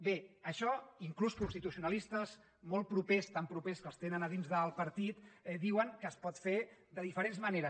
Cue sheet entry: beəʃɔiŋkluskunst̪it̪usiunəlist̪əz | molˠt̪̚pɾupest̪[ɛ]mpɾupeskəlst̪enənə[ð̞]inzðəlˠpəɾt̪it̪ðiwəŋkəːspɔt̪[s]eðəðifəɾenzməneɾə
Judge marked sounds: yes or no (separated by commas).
no, yes, no